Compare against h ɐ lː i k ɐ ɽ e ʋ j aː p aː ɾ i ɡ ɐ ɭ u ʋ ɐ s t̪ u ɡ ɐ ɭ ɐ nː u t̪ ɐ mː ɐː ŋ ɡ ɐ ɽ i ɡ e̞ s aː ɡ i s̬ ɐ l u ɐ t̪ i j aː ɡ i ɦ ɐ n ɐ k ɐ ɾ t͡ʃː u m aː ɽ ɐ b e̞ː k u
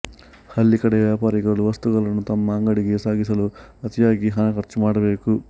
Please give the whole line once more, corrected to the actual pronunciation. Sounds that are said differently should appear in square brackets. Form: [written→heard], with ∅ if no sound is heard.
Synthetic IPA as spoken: h ɐ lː i k ɐ ɽ e ʋ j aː p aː ɾ i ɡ ɐ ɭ u ʋ ɐ s t̪ u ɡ ɐ ɭ ɐ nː u t̪ ɐ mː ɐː ŋ ɡ ɐ ɽ i ɡ e̞ s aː ɡ i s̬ ɐ l u ɐ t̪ i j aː ɡ i ɦ ɐ n ɐ k ɐ ɾ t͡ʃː u m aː ɽ ɐ b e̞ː k u